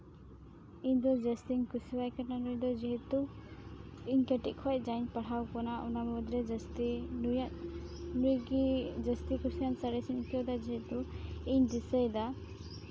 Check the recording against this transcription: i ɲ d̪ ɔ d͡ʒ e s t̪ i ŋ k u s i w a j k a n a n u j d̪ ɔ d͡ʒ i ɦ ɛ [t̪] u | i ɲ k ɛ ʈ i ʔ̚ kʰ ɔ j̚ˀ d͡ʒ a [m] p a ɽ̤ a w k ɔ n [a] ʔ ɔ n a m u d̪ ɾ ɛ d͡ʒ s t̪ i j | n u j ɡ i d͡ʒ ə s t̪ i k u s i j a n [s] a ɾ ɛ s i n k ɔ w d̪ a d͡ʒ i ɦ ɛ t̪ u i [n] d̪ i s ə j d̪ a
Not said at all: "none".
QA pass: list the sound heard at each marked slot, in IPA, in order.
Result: t̪, ɲ, a, s, ɲ

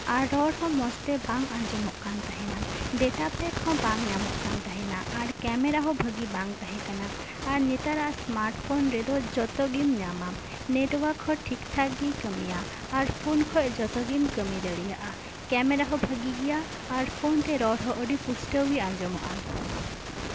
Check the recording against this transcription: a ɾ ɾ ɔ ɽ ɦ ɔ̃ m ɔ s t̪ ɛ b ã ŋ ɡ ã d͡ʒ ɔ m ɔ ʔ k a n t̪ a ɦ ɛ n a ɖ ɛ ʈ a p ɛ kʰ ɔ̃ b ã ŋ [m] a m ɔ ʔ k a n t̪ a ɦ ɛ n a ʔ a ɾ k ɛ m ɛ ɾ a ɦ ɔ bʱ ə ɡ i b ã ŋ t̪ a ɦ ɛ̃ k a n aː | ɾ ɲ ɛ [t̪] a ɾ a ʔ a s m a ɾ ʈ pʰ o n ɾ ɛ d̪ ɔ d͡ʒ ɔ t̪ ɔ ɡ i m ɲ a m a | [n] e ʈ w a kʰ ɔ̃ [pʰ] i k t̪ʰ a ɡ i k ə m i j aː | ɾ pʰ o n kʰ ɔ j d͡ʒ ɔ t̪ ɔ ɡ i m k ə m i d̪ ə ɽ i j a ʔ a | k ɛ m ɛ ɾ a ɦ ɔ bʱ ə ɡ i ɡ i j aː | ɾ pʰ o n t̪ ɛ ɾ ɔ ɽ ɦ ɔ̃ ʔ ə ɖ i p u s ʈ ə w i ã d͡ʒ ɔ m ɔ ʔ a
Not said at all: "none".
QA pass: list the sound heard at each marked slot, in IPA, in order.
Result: ɲ, t̪, n, ʈʰ

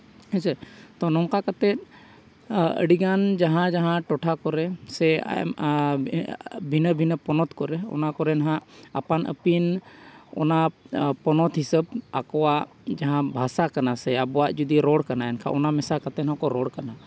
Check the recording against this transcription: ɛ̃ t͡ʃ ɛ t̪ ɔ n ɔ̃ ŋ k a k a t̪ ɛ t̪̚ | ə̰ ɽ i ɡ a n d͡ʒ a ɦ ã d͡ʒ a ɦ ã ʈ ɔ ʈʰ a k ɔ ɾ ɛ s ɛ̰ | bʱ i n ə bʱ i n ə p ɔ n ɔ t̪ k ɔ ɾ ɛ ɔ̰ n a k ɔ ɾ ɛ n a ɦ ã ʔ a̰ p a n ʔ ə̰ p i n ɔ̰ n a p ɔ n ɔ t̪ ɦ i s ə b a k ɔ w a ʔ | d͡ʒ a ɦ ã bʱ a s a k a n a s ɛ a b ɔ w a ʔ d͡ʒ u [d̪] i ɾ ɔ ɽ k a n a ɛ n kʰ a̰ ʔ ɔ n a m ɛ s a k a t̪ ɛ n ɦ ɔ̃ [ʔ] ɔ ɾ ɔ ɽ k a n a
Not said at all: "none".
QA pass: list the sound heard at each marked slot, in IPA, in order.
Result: d̪, k

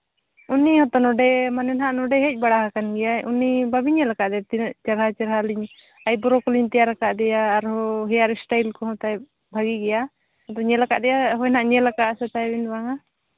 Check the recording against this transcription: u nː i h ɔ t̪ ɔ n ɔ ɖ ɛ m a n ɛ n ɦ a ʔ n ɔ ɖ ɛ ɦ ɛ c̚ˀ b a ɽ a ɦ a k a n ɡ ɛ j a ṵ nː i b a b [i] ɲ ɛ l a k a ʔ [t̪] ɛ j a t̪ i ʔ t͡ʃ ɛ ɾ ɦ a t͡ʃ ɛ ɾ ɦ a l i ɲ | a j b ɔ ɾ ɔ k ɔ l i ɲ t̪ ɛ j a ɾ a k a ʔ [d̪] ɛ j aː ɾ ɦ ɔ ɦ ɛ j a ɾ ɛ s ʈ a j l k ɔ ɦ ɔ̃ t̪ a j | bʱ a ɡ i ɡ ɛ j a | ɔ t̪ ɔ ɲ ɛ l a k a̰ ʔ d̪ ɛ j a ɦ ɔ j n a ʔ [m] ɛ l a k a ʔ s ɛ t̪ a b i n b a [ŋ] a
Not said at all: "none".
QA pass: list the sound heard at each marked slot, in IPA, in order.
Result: i, d̪, d̪, ɲ, ŋ

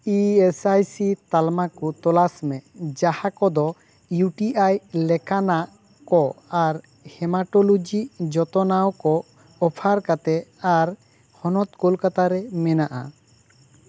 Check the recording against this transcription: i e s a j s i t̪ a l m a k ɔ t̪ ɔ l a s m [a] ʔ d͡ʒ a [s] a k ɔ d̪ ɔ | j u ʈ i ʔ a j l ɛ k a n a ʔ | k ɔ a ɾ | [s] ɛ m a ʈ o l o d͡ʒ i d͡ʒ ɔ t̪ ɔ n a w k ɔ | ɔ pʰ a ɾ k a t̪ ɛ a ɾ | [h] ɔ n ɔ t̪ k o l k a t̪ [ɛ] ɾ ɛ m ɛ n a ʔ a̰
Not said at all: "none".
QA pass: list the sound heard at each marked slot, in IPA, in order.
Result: ɛ, h, h, h, a

